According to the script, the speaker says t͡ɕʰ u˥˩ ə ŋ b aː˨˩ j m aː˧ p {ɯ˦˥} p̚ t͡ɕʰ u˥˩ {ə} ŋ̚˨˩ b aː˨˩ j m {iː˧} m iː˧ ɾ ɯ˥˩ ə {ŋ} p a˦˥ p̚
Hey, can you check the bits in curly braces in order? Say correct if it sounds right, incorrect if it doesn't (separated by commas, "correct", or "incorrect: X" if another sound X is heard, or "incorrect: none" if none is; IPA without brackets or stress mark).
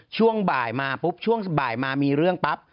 incorrect: u˦˥, correct, incorrect: aː˧, correct